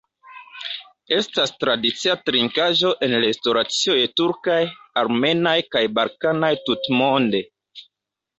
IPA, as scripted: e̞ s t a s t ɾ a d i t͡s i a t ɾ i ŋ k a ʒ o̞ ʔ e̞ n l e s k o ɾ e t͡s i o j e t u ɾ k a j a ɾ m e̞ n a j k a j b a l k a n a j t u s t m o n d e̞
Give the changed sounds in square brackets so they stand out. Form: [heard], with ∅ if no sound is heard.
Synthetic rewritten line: e̞ s t a s t ɾ a d i t͡s i a t ɾ i ŋ k a ʒ o̞ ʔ e̞ n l e s [t] o ɾ [a] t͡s i o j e t u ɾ k a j a ɾ m e̞ n a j k a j b a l k a n a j t u [∅] t m o n d e̞